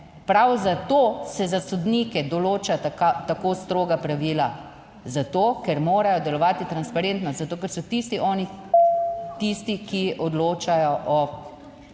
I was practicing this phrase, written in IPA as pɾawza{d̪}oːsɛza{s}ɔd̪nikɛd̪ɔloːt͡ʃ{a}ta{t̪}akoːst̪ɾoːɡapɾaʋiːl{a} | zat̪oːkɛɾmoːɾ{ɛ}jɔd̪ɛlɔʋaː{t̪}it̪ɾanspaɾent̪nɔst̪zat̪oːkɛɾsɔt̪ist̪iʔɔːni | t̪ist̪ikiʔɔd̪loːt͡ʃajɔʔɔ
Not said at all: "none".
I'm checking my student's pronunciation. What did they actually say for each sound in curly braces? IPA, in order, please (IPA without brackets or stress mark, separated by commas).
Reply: t̪, s, a, t̪, a, a, t̪